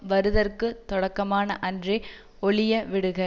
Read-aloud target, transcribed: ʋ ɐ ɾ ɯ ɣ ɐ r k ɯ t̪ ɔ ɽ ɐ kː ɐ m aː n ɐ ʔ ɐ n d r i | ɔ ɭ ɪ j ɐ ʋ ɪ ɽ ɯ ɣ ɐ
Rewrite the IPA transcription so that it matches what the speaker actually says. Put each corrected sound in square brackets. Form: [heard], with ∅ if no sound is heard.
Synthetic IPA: ʋ ɐ ɾ ɯ [ð] ɐ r k ɯ t̪ ɔ ɽ ɐ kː ɐ m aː n ɐ ʔ ɐ n d r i | ɔ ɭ ɪ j ɐ ʋ ɪ ɽ ɯ ɣ ɐ